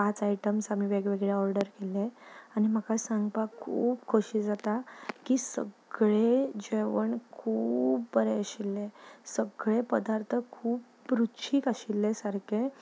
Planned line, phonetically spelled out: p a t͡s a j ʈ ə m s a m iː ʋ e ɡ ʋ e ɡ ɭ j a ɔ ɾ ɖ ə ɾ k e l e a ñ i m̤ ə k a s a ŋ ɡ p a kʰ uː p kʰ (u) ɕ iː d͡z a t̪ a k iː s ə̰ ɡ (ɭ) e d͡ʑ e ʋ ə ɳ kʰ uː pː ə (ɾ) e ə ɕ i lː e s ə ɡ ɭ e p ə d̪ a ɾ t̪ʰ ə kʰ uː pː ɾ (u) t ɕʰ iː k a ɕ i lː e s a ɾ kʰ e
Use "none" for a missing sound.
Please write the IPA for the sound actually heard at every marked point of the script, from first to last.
o, ɭ, ɾ, u

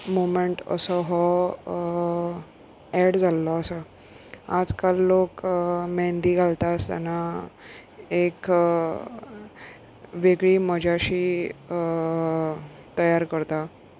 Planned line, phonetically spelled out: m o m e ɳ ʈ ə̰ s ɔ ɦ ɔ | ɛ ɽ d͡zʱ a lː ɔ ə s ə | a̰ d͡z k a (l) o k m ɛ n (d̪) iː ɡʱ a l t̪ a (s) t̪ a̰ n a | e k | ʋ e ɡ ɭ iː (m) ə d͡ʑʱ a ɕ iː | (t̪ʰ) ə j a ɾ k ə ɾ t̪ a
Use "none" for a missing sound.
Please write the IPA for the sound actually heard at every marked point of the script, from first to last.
lː, d̪, s, m, t̪

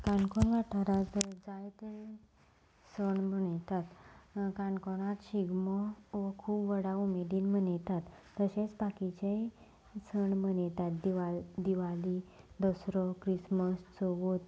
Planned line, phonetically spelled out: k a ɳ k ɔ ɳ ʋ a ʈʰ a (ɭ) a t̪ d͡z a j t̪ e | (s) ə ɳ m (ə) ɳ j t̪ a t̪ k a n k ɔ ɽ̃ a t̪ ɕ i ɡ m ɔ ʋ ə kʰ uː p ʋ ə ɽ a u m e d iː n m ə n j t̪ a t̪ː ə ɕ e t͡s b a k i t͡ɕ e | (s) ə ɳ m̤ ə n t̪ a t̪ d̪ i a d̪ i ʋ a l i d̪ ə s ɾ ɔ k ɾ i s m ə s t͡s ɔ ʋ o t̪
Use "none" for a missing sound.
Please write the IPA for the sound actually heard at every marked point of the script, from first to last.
ɾ, s, ə, s

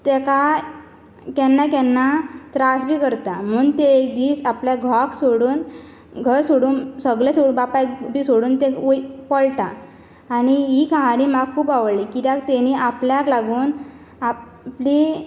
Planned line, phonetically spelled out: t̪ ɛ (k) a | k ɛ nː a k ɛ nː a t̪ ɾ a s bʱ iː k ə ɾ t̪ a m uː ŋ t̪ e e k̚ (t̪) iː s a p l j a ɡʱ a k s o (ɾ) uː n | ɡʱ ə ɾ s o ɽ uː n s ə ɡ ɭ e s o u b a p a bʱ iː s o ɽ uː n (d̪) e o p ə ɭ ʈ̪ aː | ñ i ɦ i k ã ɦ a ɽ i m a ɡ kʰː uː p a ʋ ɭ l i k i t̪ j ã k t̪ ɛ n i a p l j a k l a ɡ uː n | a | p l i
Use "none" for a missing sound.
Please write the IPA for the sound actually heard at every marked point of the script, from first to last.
k, d̪, ɽ, t̪

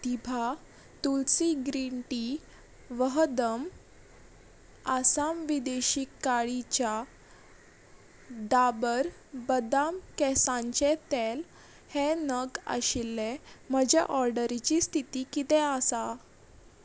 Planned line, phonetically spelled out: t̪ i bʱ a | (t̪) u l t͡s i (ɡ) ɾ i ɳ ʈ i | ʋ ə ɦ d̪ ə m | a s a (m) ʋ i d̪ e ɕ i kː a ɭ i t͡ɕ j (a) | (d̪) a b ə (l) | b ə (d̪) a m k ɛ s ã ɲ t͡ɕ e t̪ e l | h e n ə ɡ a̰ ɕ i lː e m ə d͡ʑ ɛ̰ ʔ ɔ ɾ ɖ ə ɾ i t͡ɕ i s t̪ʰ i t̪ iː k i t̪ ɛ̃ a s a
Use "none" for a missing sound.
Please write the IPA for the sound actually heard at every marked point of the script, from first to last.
t̪, ɡ, m, a, d̪, ɾ, d̪

